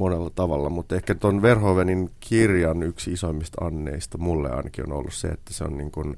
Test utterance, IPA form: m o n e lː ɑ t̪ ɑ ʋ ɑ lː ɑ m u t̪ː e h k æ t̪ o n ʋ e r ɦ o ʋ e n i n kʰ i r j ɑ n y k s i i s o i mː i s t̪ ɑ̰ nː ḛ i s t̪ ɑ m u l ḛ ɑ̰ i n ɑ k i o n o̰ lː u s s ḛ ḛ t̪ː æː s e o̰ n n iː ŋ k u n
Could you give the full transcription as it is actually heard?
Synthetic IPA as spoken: m o n e lː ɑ t̪ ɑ ʋ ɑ lː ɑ m u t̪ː e h k æ t̪ o n ʋ e r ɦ o ʋ e n i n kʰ i r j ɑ n y k s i i s o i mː i s t̪ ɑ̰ nː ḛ i s t̪ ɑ m u lː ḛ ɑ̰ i n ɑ k i o n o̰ lː u s s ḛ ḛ t̪ː æ s e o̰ n n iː ŋ k u n